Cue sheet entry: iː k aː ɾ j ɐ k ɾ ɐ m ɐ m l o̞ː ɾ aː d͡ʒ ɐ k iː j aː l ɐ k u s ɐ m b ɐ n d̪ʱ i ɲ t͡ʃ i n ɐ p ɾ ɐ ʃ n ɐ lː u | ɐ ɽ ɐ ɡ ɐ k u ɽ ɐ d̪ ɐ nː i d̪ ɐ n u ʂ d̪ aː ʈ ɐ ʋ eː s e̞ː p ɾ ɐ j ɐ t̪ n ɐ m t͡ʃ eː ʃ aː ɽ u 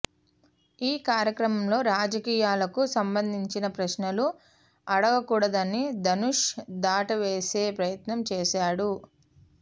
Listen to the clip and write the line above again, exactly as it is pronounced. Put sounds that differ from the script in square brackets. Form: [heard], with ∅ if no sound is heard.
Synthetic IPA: iː k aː ɾ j ɐ k ɾ ɐ m ɐ m l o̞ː ɾ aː d͡ʒ ɐ k iː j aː l ɐ k u s ɐ m b ɐ n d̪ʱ i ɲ t͡ʃ i n ɐ p ɾ ɐ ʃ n ɐ [l] u | ɐ ɽ ɐ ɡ ɐ k [uː] ɽ ɐ d̪ ɐ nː i d̪ ɐ n u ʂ d̪ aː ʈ ɐ ʋ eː s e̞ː p ɾ ɐ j ɐ t̪ n ɐ m t͡ʃ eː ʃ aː ɽ u

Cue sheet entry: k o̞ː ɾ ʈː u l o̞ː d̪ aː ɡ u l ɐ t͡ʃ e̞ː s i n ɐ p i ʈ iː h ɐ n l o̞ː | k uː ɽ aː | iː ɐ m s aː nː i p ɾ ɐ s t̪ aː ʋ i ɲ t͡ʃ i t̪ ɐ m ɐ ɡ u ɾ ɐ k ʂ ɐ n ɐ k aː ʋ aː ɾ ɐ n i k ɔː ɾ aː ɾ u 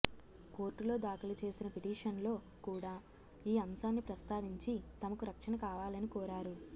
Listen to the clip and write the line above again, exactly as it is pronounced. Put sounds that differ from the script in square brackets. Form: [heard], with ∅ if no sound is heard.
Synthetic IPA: k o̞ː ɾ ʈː u l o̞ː d̪ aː [k] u l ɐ t͡ʃ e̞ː s i n ɐ p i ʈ iː [ʂ] ɐ n l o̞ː | k uː ɽ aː | iː ɐ m s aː nː i p ɾ ɐ s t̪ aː ʋ i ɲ t͡ʃ i t̪ ɐ m ɐ [k] u ɾ ɐ k ʂ ɐ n ɐ k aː ʋ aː [l] ɐ n i k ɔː ɾ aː ɾ u

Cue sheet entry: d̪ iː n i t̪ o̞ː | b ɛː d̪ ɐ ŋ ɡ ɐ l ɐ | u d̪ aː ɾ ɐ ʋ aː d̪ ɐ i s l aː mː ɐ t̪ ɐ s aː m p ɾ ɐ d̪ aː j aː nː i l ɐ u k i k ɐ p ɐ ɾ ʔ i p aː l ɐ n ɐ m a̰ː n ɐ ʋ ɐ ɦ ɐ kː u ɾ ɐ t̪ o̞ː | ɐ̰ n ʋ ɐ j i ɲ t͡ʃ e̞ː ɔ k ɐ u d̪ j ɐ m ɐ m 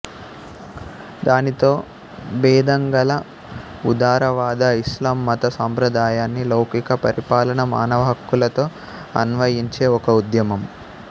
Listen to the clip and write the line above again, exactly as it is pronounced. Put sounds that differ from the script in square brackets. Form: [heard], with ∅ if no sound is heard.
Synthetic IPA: d̪ [aː] n i t̪ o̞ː | b ɛː d̪ ɐ ŋ ɡ ɐ l ɐ | u d̪ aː ɾ ɐ ʋ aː d̪ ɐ i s l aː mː ɐ t̪ ɐ s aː m p ɾ ɐ d̪ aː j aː nː i l ɐ [w] k i k ɐ p ɐ ɾ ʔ i p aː l ɐ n ɐ m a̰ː n ɐ ʋ ɐ ɦ ɐ kː u [l] ɐ t̪ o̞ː | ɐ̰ n ʋ ɐ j i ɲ t͡ʃ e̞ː ɔ k ɐ u d̪ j ɐ m ɐ m

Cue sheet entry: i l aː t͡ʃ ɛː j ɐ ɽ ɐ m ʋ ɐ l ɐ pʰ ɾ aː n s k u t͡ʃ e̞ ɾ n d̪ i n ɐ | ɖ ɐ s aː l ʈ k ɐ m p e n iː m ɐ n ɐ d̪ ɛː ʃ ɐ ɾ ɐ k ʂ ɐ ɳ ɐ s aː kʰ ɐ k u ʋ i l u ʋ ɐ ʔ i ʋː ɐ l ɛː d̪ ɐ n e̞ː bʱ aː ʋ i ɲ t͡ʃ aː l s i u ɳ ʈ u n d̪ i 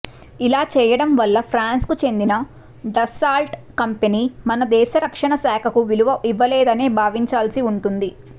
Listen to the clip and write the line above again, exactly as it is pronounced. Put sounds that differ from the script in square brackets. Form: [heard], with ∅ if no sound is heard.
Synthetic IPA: i l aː t͡ʃ ɛː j ɐ ɽ ɐ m ʋ ɐ [lː] ɐ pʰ ɾ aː n s k u t͡ʃ e̞ [∅] n d̪ i n ɐ | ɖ ɐ s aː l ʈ k ɐ m p e n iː m ɐ n ɐ d̪ ɛː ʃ ɐ ɾ ɐ k ʂ ɐ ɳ ɐ s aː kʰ ɐ k u ʋ i l u ʋ ɐ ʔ i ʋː ɐ l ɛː d̪ ɐ n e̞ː bʱ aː ʋ i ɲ t͡ʃ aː l s i u ɳ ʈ u n d̪ i

